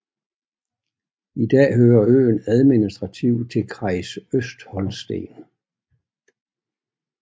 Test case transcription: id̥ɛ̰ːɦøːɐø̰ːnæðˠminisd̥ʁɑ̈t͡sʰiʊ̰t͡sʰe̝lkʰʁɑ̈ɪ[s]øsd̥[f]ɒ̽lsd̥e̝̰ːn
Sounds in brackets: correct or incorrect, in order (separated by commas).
correct, incorrect